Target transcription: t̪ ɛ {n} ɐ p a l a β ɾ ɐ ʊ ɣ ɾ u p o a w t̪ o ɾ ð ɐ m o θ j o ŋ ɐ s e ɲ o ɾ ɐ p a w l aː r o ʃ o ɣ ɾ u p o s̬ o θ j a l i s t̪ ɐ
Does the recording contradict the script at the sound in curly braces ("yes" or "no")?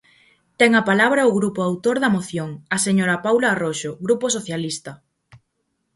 yes